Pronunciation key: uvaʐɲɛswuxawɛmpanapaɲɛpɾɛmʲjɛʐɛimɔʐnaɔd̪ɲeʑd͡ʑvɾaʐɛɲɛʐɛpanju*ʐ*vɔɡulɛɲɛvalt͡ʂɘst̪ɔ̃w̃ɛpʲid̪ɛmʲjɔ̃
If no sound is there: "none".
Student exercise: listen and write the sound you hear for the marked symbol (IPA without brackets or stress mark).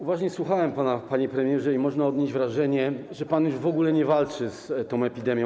ʐ